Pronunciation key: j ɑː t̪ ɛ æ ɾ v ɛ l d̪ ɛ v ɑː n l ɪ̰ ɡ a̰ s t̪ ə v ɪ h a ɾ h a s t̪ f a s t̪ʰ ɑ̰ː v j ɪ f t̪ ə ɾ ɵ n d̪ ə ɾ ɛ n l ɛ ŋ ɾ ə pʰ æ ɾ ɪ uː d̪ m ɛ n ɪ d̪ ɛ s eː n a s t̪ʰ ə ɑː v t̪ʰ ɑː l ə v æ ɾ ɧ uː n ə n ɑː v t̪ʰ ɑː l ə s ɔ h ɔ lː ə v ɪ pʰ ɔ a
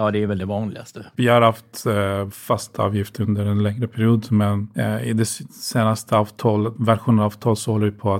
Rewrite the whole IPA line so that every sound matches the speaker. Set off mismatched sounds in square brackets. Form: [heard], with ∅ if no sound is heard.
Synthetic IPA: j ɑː [d̪] ɛ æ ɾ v ɛ l d̪ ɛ v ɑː n l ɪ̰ ɡ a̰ s t̪ ə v ɪ h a ɾ h a [f] t̪ f a s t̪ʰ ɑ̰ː v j ɪ f t̪ ə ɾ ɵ n d̪ ə ɾ ɛ n l ɛ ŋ ɾ ə pʰ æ ɾ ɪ uː d̪ m ɛ n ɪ d̪ ɛ s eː n a s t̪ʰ ə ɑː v t̪ʰ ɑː l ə v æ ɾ ɧ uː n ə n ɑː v t̪ʰ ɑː l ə s ɔ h ɔ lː ə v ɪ pʰ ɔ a